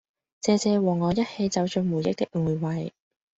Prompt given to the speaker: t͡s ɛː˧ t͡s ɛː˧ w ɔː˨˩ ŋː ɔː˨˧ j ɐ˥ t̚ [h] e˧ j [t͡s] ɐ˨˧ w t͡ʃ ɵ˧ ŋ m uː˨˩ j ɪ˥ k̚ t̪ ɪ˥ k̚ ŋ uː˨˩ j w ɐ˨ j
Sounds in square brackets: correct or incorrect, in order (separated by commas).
correct, correct